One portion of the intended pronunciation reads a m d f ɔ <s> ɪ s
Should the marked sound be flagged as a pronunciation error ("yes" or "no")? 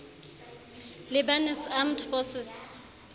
no